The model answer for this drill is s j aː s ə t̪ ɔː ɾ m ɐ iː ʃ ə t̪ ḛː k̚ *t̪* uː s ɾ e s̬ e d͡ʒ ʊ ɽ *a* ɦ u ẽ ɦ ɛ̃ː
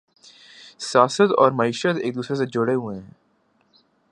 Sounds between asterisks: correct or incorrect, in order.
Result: incorrect: d̪, incorrect: e

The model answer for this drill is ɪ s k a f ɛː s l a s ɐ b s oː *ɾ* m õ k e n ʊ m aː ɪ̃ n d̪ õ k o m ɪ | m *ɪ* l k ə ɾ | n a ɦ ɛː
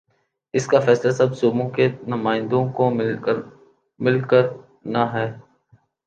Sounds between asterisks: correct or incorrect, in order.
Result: incorrect: none, correct

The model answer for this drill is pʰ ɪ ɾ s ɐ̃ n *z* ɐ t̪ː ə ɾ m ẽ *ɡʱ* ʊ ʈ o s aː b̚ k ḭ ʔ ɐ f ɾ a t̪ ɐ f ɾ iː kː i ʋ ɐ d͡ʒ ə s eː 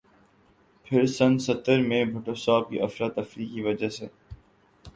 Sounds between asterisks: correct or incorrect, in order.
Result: incorrect: s, incorrect: bʱ

